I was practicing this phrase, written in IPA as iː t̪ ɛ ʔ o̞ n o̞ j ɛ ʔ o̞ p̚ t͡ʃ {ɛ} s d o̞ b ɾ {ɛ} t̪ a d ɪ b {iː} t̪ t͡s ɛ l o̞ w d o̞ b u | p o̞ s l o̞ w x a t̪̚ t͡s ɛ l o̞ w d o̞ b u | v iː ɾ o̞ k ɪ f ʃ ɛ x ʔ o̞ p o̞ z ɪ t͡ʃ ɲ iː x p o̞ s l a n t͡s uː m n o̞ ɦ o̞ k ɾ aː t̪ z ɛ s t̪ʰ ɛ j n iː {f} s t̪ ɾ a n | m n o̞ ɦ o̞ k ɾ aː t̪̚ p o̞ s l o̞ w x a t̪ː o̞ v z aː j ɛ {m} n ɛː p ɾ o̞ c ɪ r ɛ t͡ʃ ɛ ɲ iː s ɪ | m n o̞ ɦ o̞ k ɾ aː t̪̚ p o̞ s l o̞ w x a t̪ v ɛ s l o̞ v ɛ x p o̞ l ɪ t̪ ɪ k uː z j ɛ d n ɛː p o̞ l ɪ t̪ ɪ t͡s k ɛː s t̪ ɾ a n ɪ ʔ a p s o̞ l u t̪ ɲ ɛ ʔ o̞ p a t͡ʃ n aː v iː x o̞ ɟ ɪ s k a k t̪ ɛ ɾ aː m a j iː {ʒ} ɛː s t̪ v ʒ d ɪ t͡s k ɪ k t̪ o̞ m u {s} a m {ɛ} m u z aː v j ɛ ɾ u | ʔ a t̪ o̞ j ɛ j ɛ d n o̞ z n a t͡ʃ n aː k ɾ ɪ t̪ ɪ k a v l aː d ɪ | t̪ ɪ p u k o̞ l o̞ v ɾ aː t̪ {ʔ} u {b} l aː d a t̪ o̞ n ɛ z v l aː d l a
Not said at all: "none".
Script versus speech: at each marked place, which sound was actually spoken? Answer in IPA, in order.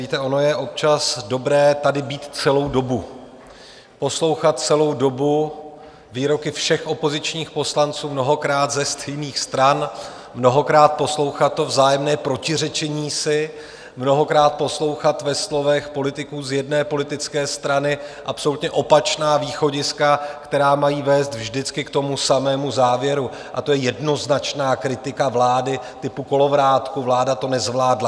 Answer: a, ɛː, iː, x, m, v, s, ɛː, k, v

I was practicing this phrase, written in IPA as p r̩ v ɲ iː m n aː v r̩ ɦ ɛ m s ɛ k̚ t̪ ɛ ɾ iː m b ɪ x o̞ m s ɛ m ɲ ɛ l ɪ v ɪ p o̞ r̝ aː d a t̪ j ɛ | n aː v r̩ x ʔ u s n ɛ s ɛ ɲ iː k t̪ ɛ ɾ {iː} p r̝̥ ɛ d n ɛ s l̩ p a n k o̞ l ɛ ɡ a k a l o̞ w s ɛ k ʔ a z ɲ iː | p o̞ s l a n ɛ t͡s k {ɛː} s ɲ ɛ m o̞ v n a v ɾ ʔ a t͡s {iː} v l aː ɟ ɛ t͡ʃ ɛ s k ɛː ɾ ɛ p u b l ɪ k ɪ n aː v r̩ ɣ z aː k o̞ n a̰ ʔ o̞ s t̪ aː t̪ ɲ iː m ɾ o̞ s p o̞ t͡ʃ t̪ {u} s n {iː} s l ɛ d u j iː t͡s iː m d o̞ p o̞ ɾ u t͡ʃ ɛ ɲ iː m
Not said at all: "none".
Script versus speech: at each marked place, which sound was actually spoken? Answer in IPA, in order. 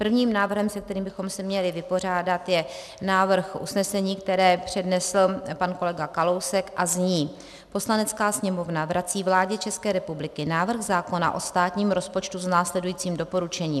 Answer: ɛː, aː, iː, u, aː

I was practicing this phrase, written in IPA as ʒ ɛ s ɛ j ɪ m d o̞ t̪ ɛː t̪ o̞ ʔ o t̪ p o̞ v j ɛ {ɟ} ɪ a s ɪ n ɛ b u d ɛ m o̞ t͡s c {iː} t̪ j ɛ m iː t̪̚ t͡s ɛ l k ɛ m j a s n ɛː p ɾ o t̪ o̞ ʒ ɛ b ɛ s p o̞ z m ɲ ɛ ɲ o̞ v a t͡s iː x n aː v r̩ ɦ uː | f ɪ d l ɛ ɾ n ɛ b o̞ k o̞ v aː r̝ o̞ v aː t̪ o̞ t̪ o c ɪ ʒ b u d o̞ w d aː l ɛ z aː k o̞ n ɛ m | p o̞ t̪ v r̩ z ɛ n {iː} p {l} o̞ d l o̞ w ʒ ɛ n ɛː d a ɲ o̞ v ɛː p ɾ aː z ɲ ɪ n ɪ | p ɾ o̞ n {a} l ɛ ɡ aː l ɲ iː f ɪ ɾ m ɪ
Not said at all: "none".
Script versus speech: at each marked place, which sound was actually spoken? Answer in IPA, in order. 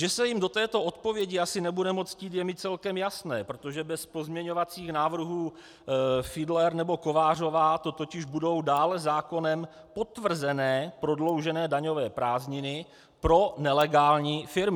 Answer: ɟ, iː, ɛː, ɾ, ɛ

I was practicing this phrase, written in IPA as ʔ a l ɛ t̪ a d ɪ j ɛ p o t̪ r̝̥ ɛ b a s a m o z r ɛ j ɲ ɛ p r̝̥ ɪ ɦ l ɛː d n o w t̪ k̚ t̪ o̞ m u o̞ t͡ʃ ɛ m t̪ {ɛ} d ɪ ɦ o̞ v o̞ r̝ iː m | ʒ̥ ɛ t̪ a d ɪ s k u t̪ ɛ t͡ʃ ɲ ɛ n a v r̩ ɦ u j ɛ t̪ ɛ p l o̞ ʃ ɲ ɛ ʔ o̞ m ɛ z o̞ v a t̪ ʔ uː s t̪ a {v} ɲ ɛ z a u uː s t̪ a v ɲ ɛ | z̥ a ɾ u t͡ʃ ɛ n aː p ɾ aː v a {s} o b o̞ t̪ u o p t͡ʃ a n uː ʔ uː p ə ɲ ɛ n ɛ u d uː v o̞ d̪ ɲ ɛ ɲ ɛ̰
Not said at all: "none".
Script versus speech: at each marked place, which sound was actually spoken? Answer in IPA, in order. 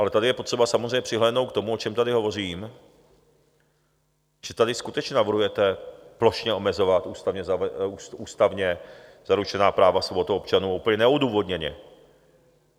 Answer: a, v, s

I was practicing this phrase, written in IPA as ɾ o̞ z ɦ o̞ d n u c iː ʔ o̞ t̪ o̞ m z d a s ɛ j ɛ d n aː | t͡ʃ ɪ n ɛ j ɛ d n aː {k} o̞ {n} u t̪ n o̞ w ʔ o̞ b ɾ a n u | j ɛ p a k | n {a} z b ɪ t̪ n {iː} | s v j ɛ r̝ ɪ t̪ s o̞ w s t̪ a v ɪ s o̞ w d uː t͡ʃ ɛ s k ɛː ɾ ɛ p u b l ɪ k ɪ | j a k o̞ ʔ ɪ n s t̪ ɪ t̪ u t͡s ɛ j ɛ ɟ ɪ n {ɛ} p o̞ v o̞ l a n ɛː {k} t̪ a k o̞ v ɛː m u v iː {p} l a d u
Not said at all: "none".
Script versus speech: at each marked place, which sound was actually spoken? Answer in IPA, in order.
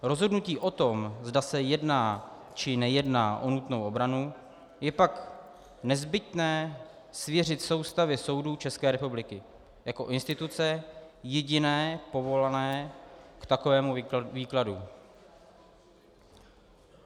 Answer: ʔ, n, ɛ, ɛː, ɛː, k, k

